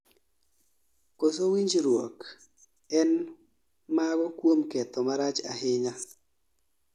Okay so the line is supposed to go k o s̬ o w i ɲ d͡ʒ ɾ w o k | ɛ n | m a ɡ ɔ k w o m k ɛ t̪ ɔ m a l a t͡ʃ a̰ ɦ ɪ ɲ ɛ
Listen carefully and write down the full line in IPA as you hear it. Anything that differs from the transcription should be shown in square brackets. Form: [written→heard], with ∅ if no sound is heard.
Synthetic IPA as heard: k o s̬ o w i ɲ d͡ʒ ɾ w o k | ɛ n | m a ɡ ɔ k w o m k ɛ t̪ ɔ m a [l→ɾ] a t͡ʃ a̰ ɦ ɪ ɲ [ɛ→a]